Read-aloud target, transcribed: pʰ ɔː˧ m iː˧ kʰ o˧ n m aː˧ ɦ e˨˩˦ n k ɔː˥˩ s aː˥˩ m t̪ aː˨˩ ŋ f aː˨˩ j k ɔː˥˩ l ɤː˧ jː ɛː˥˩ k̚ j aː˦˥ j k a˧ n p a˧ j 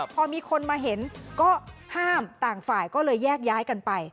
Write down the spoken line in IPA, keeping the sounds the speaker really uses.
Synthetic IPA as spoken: pʰ ɔː˧ m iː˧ kʰ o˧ n m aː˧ ɦ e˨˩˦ n k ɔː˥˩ h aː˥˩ m t̪ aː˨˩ ŋ f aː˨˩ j k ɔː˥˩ l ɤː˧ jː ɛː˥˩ k̚ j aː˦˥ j k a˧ n p a˧ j